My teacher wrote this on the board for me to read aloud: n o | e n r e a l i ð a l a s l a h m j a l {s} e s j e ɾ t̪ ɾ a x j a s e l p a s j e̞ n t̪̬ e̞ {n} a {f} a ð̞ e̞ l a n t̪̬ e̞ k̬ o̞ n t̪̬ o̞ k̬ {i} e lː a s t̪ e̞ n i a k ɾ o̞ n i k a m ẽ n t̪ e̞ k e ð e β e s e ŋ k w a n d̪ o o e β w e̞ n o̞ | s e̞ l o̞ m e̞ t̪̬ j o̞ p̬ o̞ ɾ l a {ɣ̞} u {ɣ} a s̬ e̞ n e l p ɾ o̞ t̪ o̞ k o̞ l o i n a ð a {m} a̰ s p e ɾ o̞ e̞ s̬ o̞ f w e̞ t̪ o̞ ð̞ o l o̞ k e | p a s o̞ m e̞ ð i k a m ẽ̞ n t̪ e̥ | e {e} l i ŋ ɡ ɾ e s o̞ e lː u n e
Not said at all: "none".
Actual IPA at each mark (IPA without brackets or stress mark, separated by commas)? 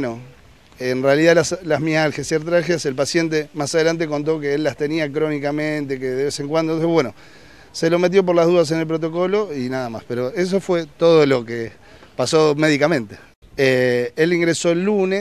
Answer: x, m, s, e, ð̞, ð, m, e